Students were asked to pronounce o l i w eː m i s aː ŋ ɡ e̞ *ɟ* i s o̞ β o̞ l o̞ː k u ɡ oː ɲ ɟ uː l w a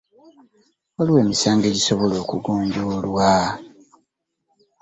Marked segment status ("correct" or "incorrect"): correct